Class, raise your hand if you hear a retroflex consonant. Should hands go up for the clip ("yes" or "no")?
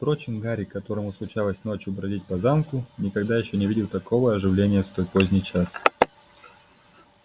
yes